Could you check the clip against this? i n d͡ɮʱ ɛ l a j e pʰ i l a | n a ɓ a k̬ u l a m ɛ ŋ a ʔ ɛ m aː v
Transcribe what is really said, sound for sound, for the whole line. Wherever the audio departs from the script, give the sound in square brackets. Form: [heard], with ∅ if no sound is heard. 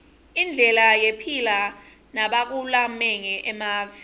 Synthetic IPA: i n d͡ɮʱ ɛ l a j e pʰ i l a | n a ɓ a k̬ u l a m ɛ ŋ [ɛ] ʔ ɛ m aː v